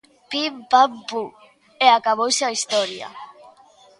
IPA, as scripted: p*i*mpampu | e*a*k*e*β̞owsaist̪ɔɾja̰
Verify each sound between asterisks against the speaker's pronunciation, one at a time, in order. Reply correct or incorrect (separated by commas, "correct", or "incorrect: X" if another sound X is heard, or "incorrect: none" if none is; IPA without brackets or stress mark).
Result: correct, correct, incorrect: a